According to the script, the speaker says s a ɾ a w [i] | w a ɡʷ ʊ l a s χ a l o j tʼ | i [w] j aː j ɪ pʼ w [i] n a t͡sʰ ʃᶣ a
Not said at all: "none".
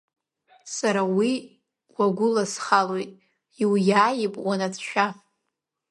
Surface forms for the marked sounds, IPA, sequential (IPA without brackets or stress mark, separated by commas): i, w, a